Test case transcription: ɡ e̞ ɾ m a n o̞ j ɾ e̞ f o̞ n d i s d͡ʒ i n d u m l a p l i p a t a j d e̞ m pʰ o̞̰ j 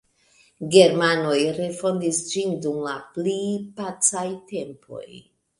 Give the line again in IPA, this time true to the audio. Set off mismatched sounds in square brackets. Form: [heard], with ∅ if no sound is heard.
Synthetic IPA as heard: ɡ e̞ ɾ m a n o̞ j ɾ e̞ f o̞ n d i s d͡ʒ i n d u m l a p l i p a [t͡s] a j [t] e̞ m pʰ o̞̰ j